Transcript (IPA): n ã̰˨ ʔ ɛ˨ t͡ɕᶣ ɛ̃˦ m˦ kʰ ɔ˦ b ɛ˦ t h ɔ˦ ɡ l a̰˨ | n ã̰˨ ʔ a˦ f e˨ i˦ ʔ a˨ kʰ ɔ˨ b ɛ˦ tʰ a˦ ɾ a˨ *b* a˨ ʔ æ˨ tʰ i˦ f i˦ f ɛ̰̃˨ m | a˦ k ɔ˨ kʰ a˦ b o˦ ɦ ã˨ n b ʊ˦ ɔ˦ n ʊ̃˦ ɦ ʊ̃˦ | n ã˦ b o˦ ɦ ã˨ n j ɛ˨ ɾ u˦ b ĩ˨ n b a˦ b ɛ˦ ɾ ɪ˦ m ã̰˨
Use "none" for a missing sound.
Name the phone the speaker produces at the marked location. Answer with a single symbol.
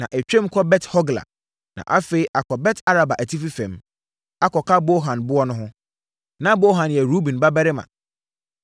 b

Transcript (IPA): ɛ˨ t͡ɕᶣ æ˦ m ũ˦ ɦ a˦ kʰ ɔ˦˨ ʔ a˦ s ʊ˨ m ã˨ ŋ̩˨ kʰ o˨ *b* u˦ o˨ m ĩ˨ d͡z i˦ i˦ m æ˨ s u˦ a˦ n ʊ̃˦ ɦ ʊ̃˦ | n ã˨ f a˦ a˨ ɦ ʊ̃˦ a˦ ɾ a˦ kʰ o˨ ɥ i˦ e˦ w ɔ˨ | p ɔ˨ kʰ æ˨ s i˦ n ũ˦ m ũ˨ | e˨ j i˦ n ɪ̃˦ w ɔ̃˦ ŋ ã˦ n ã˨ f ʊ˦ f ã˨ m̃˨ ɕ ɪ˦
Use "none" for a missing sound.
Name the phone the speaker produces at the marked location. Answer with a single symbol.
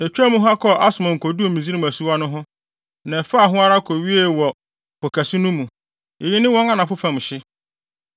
d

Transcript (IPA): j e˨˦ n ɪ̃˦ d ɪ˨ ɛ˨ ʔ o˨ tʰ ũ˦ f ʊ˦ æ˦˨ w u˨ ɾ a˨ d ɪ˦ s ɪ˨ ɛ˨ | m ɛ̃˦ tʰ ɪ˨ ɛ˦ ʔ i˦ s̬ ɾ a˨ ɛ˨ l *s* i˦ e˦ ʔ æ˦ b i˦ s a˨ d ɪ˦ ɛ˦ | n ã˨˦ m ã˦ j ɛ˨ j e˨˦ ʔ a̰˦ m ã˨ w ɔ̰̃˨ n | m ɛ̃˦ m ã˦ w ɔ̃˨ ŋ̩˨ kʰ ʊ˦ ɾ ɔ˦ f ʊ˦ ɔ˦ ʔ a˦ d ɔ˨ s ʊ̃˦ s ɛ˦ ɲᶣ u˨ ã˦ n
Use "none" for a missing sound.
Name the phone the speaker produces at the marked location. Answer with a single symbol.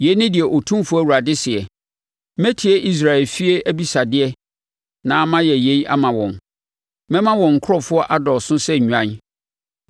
f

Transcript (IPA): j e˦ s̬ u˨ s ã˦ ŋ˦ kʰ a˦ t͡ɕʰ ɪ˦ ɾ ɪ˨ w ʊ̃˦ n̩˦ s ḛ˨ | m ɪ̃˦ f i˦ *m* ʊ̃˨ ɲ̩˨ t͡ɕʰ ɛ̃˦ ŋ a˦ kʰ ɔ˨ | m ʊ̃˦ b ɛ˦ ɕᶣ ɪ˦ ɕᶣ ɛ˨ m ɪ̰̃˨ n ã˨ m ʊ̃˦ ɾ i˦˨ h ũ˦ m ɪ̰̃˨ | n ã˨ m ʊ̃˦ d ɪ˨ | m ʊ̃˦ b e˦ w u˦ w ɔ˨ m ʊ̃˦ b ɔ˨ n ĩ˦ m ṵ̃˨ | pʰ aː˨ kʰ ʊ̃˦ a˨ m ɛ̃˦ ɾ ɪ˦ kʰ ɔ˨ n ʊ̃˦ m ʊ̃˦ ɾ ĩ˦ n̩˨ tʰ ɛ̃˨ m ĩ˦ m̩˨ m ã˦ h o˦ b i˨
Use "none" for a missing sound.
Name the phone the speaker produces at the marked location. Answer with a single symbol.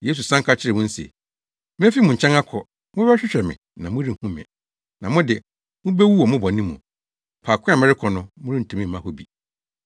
m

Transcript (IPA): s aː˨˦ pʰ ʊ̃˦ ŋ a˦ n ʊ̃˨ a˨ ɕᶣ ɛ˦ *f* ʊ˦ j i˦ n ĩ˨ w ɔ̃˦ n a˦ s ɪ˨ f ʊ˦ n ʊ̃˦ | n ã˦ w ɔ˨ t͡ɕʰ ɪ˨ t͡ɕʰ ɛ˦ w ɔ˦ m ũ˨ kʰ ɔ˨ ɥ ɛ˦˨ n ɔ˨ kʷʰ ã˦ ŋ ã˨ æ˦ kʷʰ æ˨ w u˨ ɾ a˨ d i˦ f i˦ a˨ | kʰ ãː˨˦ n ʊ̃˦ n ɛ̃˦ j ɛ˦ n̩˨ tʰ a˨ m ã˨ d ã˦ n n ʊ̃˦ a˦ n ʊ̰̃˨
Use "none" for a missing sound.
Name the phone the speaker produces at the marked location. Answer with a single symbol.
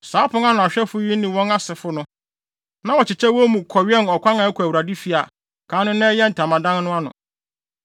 f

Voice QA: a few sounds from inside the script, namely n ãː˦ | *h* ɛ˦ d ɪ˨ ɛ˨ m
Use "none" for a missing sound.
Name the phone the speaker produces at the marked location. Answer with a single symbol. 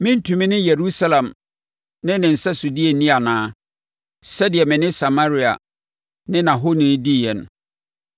s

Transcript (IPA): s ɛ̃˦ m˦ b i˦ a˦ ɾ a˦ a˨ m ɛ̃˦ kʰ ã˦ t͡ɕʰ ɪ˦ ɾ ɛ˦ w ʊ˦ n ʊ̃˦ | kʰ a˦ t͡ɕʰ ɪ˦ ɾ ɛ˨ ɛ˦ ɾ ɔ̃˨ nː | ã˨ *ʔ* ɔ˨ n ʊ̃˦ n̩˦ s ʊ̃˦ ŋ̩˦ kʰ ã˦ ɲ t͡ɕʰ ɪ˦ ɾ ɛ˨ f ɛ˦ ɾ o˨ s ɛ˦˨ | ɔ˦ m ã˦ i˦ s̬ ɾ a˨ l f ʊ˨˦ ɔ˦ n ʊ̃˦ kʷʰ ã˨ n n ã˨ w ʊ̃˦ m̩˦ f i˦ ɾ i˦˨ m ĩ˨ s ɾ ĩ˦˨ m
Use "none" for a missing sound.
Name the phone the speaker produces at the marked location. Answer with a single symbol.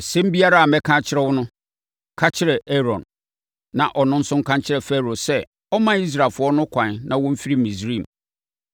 ʔ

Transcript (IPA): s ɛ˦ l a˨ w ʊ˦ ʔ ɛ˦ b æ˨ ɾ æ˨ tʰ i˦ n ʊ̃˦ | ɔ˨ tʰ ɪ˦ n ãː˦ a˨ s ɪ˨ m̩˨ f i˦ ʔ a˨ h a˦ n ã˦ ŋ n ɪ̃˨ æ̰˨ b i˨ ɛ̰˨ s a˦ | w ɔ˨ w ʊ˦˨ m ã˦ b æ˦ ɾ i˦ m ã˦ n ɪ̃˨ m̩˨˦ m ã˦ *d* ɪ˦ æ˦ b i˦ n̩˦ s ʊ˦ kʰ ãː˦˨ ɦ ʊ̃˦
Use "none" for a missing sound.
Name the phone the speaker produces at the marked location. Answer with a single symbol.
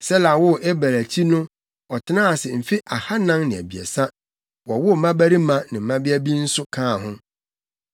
b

